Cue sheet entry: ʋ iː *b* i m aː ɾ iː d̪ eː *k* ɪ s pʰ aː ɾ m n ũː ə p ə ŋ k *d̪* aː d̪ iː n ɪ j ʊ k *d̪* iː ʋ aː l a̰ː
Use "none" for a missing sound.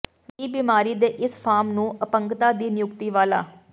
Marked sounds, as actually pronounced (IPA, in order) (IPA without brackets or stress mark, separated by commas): b, ʔ, t̪, t̪